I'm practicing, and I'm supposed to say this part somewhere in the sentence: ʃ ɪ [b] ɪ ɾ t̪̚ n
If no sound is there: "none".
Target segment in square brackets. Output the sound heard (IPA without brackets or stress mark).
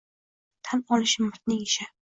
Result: m